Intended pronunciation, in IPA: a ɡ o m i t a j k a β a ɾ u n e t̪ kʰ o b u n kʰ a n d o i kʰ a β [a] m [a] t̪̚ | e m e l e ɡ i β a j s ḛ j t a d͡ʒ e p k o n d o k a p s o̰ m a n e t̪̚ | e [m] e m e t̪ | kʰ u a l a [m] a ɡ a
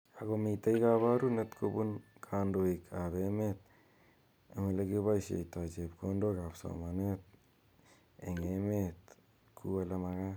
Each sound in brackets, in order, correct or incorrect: incorrect, incorrect, incorrect, correct

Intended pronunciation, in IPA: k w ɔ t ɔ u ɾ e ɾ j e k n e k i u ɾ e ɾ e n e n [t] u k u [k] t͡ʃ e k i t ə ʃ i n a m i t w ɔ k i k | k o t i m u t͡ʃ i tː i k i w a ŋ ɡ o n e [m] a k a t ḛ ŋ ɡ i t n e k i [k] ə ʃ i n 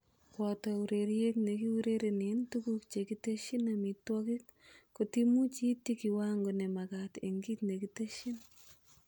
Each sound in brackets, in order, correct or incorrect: correct, correct, correct, incorrect

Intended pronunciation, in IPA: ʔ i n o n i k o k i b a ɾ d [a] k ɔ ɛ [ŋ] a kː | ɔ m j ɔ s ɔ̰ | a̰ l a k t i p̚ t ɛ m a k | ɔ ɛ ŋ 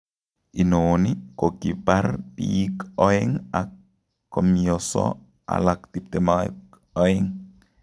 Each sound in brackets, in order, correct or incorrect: incorrect, correct

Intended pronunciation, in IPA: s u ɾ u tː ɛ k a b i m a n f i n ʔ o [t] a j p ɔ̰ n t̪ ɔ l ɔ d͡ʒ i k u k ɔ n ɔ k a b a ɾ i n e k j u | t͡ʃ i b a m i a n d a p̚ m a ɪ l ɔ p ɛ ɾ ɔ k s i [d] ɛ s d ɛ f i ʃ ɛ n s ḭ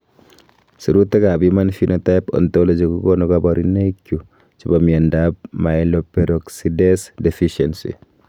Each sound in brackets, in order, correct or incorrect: correct, correct

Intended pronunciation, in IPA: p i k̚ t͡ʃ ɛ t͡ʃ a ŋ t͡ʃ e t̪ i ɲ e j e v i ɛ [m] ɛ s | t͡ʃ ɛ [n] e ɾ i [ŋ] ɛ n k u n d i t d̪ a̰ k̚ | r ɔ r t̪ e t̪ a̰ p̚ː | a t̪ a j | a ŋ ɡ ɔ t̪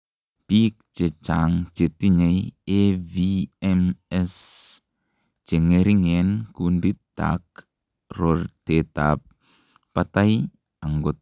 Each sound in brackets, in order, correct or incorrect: correct, incorrect, correct

